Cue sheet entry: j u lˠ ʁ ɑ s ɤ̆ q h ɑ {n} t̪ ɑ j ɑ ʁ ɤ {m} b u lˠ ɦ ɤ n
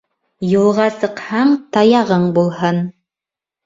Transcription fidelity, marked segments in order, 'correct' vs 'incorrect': incorrect: ɴ, incorrect: ɴ

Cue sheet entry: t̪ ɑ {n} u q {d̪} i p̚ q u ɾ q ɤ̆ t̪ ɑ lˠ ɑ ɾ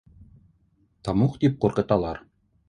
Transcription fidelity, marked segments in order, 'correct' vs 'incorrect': incorrect: m, incorrect: t̪

